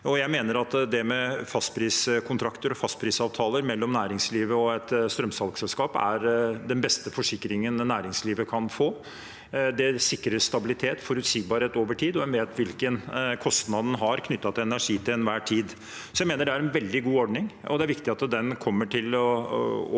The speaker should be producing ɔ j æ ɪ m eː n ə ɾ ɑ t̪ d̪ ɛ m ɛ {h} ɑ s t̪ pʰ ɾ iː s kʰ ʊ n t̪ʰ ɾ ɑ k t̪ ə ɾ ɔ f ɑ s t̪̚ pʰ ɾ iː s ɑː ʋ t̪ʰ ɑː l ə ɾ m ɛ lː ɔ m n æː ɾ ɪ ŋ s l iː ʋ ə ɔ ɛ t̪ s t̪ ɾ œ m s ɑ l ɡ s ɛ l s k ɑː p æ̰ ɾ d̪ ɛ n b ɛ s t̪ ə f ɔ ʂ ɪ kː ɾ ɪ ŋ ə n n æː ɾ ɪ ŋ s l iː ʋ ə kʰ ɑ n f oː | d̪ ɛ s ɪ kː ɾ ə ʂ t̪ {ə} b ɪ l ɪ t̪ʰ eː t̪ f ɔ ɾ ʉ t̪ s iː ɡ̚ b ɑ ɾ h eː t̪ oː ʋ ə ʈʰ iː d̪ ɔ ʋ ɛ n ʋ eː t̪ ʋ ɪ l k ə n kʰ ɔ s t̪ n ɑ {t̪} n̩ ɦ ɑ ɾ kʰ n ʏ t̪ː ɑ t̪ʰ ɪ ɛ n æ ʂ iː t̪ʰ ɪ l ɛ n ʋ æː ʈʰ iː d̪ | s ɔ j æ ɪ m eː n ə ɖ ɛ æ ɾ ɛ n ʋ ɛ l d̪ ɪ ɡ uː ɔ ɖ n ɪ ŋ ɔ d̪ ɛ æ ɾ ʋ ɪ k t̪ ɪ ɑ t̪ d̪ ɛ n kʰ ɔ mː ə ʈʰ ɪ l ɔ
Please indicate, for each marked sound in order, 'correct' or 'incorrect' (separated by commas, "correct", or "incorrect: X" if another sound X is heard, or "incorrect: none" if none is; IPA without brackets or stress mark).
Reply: incorrect: f, incorrect: ɑ, incorrect: d̪